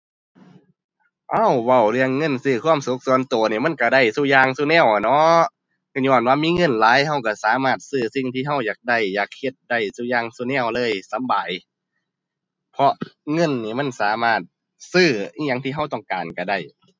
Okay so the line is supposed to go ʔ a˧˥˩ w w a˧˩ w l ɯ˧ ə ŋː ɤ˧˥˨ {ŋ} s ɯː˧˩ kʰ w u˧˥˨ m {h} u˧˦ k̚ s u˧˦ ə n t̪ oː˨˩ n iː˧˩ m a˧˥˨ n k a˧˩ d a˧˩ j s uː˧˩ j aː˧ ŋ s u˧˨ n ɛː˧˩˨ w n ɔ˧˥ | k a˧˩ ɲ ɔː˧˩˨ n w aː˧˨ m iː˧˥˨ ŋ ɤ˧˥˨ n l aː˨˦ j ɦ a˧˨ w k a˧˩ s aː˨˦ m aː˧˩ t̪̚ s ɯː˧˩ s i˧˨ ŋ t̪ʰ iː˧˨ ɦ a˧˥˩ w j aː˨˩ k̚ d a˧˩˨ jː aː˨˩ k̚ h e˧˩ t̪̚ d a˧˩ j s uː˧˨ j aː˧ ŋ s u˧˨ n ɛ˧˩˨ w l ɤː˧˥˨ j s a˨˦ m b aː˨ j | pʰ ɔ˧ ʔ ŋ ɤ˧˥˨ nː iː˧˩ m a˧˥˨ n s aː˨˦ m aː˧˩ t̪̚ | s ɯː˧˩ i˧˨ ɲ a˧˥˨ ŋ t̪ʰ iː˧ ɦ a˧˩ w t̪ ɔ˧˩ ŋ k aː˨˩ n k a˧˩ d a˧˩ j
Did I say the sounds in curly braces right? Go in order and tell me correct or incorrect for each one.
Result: incorrect: n, incorrect: s

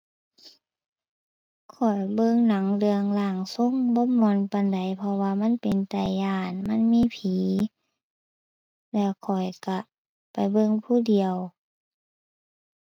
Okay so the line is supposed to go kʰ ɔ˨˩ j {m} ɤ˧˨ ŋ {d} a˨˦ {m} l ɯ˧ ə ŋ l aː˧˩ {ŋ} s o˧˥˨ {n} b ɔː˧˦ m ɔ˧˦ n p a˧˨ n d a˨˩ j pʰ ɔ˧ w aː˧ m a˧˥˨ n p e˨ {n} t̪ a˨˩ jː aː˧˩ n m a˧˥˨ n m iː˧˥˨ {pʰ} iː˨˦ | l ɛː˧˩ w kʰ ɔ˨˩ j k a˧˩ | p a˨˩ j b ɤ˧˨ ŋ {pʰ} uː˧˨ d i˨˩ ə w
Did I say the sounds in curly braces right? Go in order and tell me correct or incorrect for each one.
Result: incorrect: b, incorrect: n, incorrect: ŋ, correct, incorrect: ŋ, correct, correct, correct

